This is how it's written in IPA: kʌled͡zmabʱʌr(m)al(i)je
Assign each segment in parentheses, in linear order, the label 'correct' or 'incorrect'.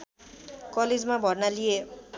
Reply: incorrect: n, correct

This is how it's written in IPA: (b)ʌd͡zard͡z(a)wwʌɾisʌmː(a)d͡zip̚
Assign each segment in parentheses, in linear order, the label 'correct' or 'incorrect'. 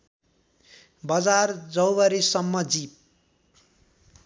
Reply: correct, incorrect: ʌ, incorrect: ʌ

